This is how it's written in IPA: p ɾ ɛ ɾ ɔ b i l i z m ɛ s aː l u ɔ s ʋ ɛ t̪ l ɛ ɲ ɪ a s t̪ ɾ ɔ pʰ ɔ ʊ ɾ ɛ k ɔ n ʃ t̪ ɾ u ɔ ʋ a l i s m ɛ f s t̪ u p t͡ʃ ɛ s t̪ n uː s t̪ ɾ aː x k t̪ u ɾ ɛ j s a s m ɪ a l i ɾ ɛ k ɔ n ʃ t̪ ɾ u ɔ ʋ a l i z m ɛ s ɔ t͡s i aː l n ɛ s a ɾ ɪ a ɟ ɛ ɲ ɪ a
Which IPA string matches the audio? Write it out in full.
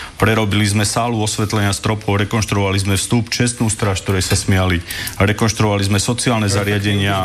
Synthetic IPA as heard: p ɾ ɛ ɾ ɔ b i l i z m ɛ s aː l u ɔ s ʋ ɛ t̪ l ɛ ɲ ɪ a s t̪ ɾ ɔ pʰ ɔ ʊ ɾ ɛ k ɔ n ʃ t̪ ɾ u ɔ ʋ a l i z m ɛ f s t̪ u p t͡ʃ ɛ s t̪ n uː s t̪ ɾ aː ʃ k t̪ ɔ ɾ ɛ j s a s m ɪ a l i ɾ ɛ k ɔ n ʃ t̪ ɾ u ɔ ʋ a l i z m ɛ s ɔ t͡s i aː l n ɛ z a ɾ ɪ a ɟ ɛ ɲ ɪ a